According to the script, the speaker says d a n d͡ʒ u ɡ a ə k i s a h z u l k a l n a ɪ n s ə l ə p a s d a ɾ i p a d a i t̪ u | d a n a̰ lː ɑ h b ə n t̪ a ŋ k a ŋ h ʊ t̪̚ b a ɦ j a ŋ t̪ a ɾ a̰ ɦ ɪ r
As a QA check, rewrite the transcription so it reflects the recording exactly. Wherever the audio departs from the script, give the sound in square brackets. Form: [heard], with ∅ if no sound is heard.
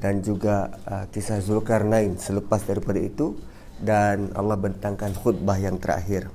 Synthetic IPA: d a n d͡ʒ u ɡ a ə k i s a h z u l k a [r] n a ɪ n s ə l ə p a s d a ɾ i p a d a i t̪ u | d a n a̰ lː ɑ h b ə n t̪ a ŋ k a [n] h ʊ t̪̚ b a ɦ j a ŋ t̪ [ə] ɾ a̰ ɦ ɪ r